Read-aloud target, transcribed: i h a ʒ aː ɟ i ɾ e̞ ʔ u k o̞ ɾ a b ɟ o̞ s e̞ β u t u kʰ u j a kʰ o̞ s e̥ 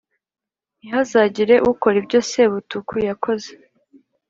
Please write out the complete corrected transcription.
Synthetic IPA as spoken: i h a z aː ɟ i ɾ e̞ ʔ u k o̞ ɾ i b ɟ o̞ s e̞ β u t u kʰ u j a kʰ o̞ z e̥